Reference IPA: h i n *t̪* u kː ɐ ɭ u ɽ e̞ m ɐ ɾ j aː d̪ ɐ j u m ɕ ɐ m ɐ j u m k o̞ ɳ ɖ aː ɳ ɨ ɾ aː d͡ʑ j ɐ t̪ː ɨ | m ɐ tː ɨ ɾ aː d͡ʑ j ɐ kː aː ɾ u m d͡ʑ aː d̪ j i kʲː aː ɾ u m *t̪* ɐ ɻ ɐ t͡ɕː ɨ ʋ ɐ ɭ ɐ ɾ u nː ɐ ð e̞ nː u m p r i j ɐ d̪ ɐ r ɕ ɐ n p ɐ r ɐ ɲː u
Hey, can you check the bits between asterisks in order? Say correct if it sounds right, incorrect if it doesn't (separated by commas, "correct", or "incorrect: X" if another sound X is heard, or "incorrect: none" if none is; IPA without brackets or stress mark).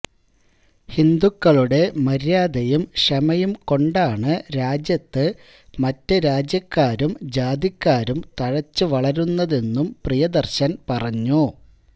incorrect: d̪, correct